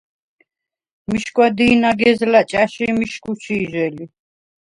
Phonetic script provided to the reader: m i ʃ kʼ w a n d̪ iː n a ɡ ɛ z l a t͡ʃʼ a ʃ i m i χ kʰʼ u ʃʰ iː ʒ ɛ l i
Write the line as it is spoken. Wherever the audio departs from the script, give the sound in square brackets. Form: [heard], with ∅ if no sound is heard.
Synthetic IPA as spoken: m i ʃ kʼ w a [∅] d̪ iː n a ɡ ɛ z l a t͡ʃʼ a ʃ i m i [ʃ] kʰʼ u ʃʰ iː ʒ ɛ l i